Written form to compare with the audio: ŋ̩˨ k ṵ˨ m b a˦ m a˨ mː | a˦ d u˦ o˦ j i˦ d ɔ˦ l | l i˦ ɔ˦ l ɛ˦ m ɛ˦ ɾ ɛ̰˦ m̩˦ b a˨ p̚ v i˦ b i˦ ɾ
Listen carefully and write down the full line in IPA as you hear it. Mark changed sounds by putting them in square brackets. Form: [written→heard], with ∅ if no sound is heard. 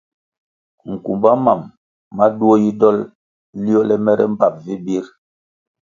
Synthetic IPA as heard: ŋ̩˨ k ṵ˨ m b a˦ m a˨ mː | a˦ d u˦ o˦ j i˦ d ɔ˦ l | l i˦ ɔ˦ l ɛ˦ m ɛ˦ ɾ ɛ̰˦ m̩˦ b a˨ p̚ v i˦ b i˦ ɾ